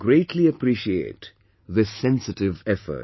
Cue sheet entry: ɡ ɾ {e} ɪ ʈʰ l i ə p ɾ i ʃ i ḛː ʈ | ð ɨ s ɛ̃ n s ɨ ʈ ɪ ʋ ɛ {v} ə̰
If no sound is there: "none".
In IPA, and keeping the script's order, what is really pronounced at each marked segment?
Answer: e, f

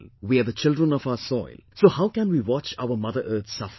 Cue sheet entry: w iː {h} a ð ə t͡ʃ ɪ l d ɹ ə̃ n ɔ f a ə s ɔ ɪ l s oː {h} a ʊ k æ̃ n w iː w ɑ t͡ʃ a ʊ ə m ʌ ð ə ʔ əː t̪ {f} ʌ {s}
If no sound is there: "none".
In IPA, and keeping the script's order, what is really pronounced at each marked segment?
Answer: none, h, s, f

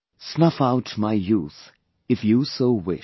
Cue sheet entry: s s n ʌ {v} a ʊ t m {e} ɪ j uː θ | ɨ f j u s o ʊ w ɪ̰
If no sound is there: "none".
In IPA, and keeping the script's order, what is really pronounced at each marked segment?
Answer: f, a

